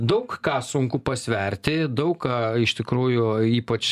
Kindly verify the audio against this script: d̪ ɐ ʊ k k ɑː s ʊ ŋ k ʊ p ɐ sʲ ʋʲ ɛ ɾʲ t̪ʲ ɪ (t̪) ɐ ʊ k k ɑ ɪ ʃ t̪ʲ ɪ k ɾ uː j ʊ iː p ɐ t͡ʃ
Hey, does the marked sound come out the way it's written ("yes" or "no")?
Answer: no